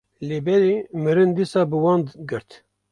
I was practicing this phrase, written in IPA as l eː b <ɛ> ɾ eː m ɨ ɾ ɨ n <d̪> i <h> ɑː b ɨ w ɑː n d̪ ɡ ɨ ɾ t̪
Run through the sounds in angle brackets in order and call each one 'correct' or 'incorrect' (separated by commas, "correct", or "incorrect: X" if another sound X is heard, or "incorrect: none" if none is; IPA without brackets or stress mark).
correct, correct, incorrect: s